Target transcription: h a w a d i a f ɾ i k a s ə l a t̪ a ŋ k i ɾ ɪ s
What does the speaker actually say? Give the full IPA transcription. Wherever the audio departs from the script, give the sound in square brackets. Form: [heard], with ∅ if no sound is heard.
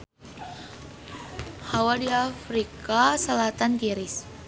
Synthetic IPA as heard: h a w a d i a f ɾ i k a s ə l a t̪ a [n] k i ɾ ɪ s